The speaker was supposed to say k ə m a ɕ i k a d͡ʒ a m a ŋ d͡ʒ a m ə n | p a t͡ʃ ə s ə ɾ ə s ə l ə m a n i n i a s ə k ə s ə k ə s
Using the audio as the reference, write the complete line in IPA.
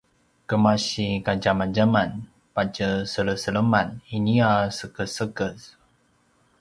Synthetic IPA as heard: k ə m a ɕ i k a d͡ʒ a m a n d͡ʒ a m a n | p a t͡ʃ ə s ə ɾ ə s ə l ə m a n i n i a s ə k ə s ə k ə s